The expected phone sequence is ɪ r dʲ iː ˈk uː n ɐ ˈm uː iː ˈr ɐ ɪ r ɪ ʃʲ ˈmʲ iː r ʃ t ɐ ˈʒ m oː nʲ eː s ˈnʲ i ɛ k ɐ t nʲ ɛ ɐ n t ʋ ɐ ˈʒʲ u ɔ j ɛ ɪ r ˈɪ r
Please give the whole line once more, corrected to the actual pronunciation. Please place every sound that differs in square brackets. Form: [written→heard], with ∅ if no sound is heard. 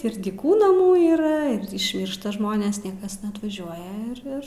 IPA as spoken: ɪ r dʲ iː ˈk uː n ɐ ˈm uː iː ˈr ɐ ɪ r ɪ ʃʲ ˈmʲ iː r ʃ t ɐ ˈʒ m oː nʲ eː s ˈnʲ i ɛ k ɐ [t→s] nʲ ɛ ɐ [n→∅] t ʋ ɐ ˈʒʲ u ɔ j ɛ ɪ r ˈɪ r